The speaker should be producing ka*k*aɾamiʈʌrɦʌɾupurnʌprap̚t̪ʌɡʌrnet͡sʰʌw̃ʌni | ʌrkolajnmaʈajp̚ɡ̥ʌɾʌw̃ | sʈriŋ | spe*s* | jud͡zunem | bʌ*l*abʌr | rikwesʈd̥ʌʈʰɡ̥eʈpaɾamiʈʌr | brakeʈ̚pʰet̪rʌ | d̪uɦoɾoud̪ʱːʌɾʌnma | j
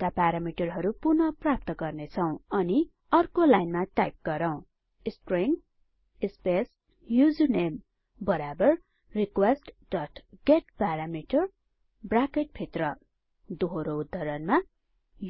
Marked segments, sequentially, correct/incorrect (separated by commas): incorrect, correct, incorrect